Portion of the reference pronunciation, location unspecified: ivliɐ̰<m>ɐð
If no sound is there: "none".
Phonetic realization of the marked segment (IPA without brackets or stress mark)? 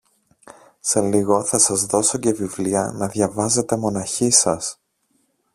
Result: n